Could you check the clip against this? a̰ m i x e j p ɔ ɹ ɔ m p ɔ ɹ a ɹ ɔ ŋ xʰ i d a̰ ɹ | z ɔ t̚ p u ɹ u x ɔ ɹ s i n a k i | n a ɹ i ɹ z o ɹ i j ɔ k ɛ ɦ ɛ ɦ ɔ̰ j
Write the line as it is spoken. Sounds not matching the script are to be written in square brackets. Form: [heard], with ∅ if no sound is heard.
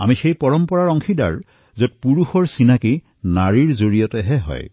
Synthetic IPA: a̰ m i x e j p ɔ ɹ ɔ m p ɔ ɹ a ɹ ɔ ŋ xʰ i d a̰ ɹ | z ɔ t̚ p u ɹ u x ɔ ɹ s i n a k i | n a ɹ i ɹ z o ɹ i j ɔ [t] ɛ ɦ ɛ ɦ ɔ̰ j